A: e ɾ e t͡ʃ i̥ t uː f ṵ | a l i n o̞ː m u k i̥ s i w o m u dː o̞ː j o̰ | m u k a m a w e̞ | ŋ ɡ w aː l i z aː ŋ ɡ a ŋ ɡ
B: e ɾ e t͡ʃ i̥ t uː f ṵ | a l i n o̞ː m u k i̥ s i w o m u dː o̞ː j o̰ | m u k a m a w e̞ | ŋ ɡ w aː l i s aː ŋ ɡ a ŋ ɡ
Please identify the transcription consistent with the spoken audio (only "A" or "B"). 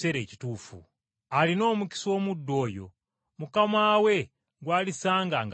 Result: B